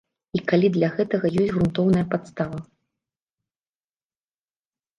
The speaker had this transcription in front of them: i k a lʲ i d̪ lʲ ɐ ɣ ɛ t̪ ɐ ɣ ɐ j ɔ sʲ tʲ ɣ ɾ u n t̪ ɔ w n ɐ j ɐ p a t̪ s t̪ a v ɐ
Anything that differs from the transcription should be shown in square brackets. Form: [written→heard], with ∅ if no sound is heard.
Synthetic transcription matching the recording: i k a lʲ i d̪ lʲ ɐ ɣ ɛ t̪ ɐ ɣ ɐ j ɔ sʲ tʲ ɣ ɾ u n t̪ ɔ w n ɐ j ɐ p a t̪ s t̪ a v ɐ